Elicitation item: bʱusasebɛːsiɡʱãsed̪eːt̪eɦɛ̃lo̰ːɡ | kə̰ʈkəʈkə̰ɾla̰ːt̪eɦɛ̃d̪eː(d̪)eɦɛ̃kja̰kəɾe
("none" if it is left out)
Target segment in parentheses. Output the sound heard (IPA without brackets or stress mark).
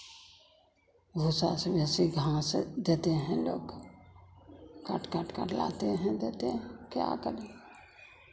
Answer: t̪